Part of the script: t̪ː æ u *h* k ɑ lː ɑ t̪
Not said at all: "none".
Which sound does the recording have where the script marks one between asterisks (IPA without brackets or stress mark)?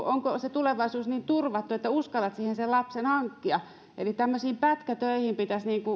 s